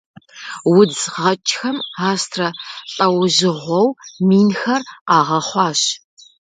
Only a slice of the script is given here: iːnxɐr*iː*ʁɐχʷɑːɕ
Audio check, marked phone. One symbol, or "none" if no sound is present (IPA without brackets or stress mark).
aː